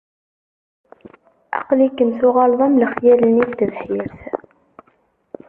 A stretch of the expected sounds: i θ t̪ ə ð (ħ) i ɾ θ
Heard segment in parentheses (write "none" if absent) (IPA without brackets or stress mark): ħ